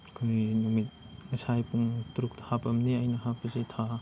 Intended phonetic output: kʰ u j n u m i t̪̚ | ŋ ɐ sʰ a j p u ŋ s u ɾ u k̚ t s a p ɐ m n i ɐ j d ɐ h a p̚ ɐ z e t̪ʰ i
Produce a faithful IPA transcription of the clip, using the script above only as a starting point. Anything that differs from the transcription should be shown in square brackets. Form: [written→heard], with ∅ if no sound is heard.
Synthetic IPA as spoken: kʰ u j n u m i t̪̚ | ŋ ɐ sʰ a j p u ŋ [s→t] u ɾ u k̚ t [s→h] a p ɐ m n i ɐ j [d→n] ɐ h a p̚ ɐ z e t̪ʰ [i→a]